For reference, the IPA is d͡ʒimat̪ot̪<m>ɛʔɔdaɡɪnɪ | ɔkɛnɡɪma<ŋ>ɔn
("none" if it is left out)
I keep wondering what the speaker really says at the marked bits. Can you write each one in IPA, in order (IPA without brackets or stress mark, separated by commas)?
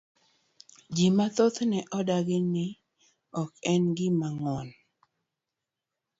n, ŋ